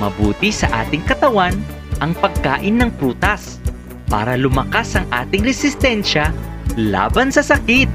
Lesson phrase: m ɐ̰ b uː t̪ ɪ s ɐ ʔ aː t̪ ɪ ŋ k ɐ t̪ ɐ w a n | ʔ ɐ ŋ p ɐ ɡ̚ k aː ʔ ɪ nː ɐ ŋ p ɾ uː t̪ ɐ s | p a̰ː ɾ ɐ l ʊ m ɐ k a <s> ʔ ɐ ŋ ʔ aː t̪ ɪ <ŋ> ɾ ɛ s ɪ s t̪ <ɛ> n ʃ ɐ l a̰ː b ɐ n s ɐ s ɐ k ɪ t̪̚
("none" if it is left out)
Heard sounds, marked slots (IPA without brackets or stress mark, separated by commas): s, ŋ, ɛ